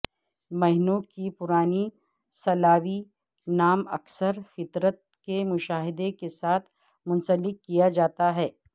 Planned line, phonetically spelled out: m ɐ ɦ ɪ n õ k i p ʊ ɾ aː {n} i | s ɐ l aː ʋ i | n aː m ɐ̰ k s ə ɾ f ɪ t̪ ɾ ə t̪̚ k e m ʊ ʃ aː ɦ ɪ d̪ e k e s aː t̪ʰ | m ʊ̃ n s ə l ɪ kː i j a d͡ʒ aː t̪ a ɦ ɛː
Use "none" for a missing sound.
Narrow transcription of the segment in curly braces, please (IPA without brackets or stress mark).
n